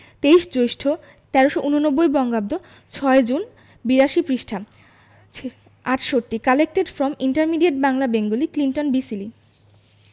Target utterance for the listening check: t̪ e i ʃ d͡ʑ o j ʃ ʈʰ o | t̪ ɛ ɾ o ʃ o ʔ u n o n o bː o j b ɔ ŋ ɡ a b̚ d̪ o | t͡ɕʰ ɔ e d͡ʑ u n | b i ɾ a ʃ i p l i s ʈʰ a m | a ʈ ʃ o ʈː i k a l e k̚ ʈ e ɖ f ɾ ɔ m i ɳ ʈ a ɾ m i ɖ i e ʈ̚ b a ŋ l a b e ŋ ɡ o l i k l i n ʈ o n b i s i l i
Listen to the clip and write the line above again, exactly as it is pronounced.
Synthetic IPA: t̪ e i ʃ d͡ʑ o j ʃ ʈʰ o | t̪ ɛ ɾ o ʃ o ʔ u n o n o bː o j b ɔ ŋ ɡ a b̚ d̪ o | t͡ɕʰ ɔ e d͡ʑ u n | b i ɾ a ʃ i p ɾ i ʃ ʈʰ a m | a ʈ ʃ o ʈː i k a l e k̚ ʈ e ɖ f ɾ ɔ m i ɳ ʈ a ɾ m i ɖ i e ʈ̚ b a ŋ l a b e ŋ ɡ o l i k l i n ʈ o n b i s i l i